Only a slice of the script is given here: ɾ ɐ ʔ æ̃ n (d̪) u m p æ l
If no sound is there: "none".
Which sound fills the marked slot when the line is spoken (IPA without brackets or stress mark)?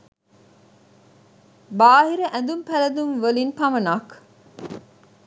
d̪